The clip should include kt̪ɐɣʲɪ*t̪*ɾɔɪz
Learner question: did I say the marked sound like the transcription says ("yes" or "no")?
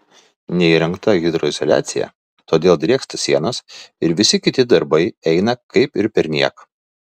no